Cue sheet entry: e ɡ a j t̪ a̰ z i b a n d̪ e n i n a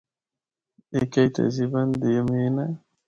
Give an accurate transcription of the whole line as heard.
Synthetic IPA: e k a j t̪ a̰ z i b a n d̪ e m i n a